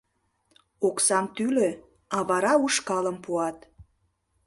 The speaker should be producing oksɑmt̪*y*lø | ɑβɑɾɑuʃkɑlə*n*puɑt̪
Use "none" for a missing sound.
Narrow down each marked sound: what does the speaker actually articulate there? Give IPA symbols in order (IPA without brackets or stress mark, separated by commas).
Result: y, m